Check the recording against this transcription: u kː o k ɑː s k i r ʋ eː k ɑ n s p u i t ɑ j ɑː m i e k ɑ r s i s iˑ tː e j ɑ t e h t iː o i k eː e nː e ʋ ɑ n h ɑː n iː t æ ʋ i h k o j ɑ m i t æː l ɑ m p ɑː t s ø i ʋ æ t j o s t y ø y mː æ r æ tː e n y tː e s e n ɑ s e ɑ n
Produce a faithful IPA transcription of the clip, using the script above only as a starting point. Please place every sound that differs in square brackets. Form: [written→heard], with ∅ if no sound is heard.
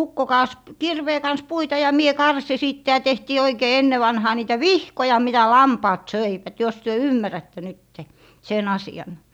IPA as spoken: u kː o k ɑː s k i r ʋ eː k ɑ n s p u i t ɑ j [ɑː→ɑ] m i e k ɑ r s i s iˑ tː e j ɑ t e h t iː o i k eː e nː e ʋ ɑ n h ɑː n iː t æ ʋ i h k o j ɑ m i t [æː→æ] l ɑ m p ɑː t s ø i ʋ æ t j o s t y ø y mː æ r æ tː e n y tː e s e n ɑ s [e→i] ɑ n